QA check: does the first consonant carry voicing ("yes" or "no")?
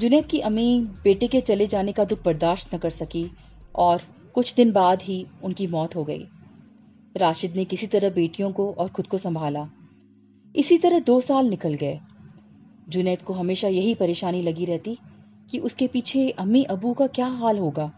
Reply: yes